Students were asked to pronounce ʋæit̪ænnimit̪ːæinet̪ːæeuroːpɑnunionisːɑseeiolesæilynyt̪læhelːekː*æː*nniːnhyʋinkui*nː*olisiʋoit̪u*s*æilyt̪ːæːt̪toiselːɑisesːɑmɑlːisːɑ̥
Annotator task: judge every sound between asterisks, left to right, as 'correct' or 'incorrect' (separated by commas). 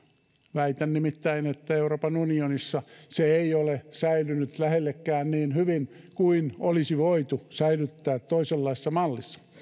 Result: correct, incorrect, correct